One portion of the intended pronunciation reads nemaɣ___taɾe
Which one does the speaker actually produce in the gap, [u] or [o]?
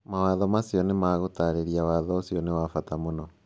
o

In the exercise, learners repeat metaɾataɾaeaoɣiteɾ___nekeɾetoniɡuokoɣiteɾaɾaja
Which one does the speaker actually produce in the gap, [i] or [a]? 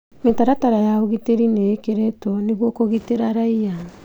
i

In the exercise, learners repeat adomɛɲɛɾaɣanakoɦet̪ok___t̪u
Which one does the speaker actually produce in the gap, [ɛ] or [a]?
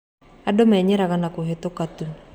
a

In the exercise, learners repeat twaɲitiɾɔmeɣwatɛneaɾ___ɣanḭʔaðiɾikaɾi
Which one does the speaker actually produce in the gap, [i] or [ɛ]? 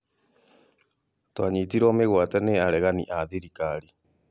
ɛ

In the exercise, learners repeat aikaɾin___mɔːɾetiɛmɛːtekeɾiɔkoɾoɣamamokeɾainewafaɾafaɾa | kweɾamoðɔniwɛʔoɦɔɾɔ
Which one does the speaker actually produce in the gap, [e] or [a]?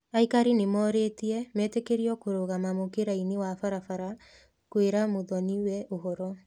e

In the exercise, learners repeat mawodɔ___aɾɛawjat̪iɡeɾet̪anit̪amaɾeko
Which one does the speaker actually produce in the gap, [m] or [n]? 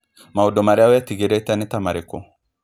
m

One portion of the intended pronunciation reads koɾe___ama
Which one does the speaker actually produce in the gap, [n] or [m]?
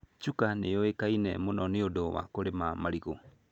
m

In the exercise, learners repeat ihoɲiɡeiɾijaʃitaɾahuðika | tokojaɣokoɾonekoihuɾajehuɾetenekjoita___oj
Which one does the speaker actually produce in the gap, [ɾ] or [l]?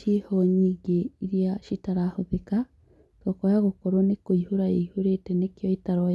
ɾ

